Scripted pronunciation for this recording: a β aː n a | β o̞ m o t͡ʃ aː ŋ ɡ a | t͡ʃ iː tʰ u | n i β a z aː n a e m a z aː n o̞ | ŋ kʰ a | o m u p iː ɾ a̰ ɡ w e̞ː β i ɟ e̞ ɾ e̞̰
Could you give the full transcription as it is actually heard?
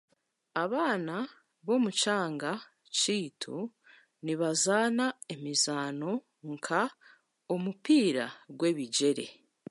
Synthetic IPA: a β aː n a | β o̞ m u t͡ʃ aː ŋ ɡ a | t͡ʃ iː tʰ u | n i β a z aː n a e m i z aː n o̞ | ŋ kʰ a | o m u p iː ɾ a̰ ɡ w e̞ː β i ɟ e̞ ɾ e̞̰